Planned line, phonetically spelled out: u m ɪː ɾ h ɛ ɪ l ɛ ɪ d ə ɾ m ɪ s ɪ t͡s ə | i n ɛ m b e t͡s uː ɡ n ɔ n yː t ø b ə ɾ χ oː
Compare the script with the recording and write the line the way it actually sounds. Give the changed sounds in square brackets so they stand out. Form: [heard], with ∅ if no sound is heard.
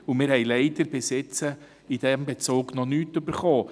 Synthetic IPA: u m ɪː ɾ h ɛ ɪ l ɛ ɪ d ə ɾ [b] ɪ s ɪ t͡s ə | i [d] ɛ m b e t͡s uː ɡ n ɔ n yː t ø b ə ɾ χ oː